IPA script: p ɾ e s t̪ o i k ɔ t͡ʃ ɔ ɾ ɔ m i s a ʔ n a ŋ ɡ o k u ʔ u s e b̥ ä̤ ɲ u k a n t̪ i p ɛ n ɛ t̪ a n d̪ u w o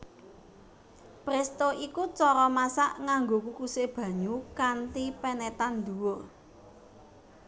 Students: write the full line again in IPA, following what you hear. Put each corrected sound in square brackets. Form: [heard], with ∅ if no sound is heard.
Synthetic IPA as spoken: p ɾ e s t̪ o i k [u] t͡ʃ ɔ ɾ ɔ m [a] s a ʔ [ŋ] a ŋ ɡ o k u [k] u s e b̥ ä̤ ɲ u k a n t̪ i p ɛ n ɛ t̪ a n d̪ u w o